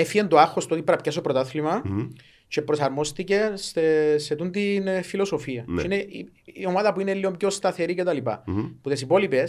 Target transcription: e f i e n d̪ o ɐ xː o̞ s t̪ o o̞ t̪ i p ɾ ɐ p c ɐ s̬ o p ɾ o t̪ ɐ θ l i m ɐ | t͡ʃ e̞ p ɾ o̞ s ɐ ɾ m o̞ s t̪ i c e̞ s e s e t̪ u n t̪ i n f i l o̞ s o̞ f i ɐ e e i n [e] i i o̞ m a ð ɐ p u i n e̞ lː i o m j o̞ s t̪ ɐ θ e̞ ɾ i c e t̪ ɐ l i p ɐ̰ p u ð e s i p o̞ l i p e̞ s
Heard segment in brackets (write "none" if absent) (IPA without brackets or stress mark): e